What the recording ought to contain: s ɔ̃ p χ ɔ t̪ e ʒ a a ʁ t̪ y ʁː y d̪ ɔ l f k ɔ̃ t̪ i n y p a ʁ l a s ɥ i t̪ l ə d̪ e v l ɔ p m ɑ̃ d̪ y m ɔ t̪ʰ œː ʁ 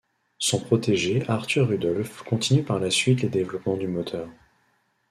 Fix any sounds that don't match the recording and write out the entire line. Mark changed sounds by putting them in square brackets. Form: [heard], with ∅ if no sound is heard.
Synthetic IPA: s ɔ̃ p χ ɔ t̪ e ʒ [e] a ʁ t̪ y ʁː y d̪ ɔ l f k ɔ̃ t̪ i n y p a ʁ l a s ɥ i t̪ l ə d̪ e v l ɔ p m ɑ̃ d̪ y m ɔ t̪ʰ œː ʁ